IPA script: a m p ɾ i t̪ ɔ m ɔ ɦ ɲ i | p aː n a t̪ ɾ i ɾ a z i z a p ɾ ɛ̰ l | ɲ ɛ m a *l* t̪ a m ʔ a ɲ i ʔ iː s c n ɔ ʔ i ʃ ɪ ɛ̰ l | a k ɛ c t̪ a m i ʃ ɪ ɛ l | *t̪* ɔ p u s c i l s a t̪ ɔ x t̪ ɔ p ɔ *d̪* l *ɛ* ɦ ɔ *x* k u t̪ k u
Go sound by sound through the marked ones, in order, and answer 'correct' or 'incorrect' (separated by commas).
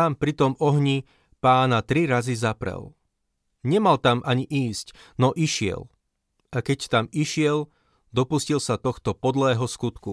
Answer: correct, incorrect, correct, incorrect, incorrect